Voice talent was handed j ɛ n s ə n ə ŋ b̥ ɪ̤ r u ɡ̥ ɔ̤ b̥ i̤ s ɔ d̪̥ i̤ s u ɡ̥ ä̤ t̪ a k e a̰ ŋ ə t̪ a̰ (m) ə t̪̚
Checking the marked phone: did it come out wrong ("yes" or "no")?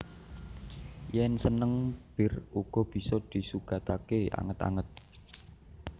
yes